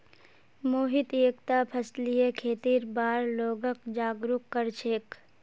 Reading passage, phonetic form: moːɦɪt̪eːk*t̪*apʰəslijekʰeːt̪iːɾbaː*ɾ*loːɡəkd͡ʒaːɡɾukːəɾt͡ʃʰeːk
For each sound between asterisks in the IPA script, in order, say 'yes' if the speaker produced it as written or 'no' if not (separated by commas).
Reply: yes, yes